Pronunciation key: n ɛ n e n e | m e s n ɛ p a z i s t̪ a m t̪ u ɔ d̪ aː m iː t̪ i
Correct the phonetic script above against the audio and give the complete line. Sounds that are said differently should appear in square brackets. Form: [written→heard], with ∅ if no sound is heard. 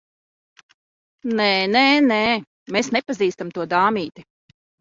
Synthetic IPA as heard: n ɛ n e n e | m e s n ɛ p a z [i→iː] s t̪ a m t̪ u ɔ d̪ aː m iː t̪ i